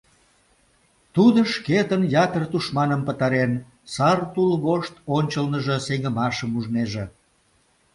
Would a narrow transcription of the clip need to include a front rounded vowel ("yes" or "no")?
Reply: no